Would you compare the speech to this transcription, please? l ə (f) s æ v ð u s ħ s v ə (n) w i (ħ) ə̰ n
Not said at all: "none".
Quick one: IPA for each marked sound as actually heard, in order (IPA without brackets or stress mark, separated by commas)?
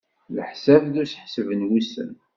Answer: ħ, n, s